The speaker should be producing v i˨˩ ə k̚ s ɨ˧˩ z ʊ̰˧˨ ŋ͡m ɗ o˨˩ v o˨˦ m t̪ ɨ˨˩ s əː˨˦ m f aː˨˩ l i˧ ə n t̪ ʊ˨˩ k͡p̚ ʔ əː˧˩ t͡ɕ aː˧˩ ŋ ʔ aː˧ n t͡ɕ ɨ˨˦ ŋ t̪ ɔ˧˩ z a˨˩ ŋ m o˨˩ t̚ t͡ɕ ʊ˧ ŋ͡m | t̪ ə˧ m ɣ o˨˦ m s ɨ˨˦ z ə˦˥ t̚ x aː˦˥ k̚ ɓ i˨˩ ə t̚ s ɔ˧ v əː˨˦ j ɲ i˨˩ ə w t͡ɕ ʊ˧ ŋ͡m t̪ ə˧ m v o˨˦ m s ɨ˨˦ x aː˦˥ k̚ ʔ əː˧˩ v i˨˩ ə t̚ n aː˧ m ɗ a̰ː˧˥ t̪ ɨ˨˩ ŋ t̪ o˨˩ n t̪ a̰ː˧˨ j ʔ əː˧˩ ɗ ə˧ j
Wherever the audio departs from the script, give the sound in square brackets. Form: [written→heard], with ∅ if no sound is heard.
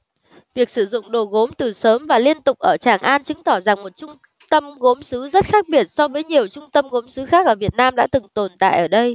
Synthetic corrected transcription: v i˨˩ ə k̚ s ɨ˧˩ z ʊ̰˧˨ ŋ͡m ɗ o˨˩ [v→ɣ] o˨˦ m t̪ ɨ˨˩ s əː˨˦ m [f→v] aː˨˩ l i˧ ə n t̪ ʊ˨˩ k͡p̚ ʔ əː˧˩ t͡ɕ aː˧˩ ŋ ʔ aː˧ n t͡ɕ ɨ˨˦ ŋ t̪ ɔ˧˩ z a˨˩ ŋ m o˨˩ t̚ t͡ɕ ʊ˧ ŋ͡m | t̪ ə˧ m ɣ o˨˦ m s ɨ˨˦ z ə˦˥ t̚ x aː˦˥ k̚ ɓ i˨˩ ə t̚ s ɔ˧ v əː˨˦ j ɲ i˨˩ ə w t͡ɕ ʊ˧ ŋ͡m t̪ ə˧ m [v→ɣ] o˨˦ m s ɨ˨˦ x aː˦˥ k̚ ʔ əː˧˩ v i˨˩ ə t̚ n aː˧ m ɗ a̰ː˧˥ t̪ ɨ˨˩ ŋ t̪ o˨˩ n t̪ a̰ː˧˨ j ʔ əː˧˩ ɗ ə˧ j